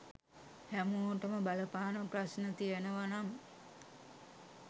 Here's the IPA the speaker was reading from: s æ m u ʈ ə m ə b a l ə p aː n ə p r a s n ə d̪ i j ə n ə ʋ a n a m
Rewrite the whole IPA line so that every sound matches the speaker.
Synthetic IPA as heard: h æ m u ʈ ə m ə b a l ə p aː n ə p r a s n ə t̪ i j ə n ə ʋ a n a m